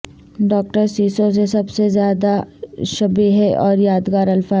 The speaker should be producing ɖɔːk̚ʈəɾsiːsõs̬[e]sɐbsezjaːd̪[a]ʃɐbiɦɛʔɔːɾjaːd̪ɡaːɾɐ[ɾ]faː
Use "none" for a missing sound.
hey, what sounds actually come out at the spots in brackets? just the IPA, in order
e, a, l

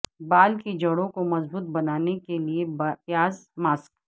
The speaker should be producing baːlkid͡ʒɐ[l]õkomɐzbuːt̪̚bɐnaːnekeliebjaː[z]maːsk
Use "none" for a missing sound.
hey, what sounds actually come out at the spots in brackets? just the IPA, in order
ɽ, z

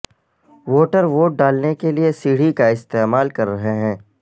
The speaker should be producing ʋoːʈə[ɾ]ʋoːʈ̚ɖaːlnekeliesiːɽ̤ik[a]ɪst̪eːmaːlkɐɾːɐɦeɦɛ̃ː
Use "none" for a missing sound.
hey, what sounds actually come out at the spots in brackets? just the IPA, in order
ɾ, a

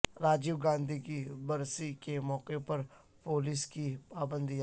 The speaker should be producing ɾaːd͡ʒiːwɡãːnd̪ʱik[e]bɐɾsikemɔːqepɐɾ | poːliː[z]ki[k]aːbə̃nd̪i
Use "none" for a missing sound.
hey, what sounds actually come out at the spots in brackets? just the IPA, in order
i, s, p

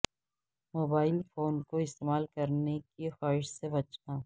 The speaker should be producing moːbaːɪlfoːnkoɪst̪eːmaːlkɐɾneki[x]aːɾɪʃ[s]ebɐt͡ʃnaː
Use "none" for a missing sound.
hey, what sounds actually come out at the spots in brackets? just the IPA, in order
x, s

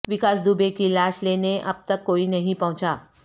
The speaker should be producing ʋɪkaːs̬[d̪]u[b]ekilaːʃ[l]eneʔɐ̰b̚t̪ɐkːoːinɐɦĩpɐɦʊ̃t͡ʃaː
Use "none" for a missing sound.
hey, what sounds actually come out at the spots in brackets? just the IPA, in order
d̪, b, l

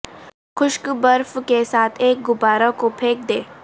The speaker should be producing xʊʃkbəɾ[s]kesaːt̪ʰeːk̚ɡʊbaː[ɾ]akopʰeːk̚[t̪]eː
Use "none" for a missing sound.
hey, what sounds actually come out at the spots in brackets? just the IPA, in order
f, ɾ, d̪

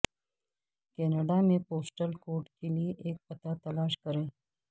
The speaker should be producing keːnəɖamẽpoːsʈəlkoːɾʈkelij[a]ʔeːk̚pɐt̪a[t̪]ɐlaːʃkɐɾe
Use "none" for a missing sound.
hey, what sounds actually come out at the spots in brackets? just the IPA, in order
e, t̪

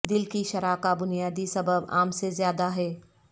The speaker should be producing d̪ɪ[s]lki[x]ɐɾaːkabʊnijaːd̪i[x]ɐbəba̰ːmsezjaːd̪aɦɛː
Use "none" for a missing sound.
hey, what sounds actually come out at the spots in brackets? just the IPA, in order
none, ʃ, s

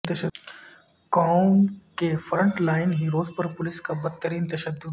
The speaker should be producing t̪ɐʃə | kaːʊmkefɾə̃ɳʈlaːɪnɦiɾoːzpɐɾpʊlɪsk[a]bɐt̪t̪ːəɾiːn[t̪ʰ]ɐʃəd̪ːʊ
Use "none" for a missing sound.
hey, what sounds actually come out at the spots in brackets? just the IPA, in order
a, t̪

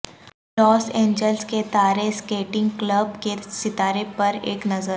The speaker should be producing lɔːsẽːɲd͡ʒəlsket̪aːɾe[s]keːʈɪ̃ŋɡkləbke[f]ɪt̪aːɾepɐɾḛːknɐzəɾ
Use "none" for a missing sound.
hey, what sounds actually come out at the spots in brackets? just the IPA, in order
s, s

